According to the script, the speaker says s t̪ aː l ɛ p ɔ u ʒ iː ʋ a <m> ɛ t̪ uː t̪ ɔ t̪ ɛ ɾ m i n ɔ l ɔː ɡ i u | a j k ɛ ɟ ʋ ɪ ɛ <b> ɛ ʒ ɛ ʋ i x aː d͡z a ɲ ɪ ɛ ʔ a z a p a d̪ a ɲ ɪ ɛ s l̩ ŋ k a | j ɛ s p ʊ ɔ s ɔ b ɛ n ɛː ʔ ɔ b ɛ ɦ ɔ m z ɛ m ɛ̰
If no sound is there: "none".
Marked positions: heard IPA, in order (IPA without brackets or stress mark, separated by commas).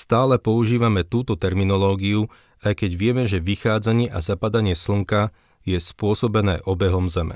m, m